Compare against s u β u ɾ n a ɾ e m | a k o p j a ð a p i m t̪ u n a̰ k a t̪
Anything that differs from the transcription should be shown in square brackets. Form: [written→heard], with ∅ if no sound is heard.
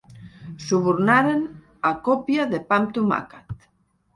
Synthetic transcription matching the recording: s u β u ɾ n a ɾ e [m→n] | a k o p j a ð [a→e] p [i→a] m t̪ u [n→m] a̰ k a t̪